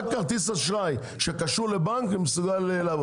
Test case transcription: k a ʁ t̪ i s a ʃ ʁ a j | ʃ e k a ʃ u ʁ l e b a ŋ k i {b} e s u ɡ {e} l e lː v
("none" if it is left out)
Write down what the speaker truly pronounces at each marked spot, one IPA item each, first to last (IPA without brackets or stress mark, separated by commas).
m, a